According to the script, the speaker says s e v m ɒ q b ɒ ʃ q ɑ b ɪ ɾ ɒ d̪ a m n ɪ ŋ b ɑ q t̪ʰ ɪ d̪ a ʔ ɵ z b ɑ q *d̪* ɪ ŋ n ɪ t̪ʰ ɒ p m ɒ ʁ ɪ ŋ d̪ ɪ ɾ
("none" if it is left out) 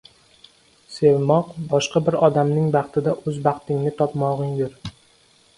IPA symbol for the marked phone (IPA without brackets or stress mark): t̪